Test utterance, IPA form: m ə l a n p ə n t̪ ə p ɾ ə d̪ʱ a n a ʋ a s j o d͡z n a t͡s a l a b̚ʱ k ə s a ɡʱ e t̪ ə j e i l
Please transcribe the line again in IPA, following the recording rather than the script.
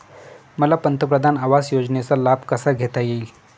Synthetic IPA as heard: m ə l a p ə n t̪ ə p ɾ ə d̪ʱ a n a ʋ a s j o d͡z n e t͡s a l a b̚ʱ k ə s a ɡʱ e t̪ a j e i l